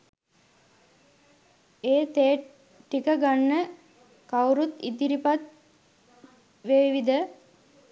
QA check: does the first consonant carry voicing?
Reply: no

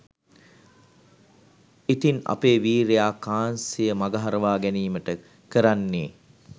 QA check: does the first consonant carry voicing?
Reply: no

